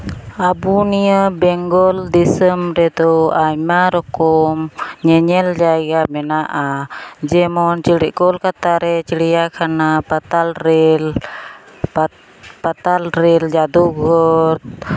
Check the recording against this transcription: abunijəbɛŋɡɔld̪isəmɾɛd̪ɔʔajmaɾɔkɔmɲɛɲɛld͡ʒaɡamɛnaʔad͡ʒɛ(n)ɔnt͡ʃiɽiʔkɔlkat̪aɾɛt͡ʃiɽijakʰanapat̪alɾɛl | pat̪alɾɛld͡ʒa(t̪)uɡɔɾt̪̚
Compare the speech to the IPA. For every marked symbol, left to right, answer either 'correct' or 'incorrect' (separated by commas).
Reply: incorrect, incorrect